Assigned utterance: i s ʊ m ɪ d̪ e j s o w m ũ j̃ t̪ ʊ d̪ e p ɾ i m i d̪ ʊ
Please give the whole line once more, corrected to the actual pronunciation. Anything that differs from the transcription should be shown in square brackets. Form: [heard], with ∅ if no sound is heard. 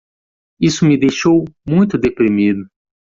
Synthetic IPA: i s ʊ m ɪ d̪ e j [ʃ] o w m ũ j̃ t̪ ʊ d̪ e p ɾ i m i d̪ ʊ